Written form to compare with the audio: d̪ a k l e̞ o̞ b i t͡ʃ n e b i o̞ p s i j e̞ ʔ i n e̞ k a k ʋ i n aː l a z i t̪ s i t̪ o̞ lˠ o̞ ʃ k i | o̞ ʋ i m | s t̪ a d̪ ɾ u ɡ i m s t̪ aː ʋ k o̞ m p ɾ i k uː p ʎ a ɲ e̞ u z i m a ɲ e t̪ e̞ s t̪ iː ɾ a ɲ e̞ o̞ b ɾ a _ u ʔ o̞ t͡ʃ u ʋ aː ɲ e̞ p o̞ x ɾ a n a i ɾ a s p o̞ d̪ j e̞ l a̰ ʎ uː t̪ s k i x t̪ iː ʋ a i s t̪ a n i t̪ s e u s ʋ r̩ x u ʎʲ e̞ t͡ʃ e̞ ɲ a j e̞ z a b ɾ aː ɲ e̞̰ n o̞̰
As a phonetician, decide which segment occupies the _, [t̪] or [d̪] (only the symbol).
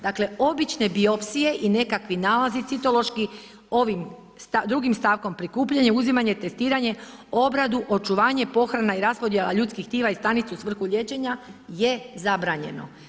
d̪